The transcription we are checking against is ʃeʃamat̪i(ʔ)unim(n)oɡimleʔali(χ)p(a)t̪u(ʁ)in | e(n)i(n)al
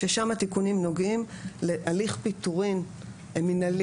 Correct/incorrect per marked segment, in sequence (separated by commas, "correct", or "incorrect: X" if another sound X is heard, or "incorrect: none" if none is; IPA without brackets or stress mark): incorrect: k, correct, correct, incorrect: i, correct, incorrect: m, correct